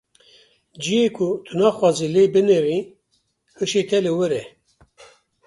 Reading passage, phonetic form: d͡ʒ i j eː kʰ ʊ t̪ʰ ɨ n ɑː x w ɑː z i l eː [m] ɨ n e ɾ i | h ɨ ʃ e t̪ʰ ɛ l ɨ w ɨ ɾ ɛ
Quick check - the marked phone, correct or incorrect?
incorrect